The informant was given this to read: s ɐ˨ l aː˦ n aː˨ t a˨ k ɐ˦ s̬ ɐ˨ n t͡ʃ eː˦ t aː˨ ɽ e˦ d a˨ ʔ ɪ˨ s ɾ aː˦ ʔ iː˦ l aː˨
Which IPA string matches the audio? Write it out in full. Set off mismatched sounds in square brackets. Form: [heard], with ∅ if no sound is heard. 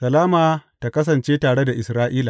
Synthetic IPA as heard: s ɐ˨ l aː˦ [m] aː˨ t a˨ k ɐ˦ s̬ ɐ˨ n t͡ʃ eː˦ t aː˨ ɽ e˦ d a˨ ʔ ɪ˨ s ɾ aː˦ ʔ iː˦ l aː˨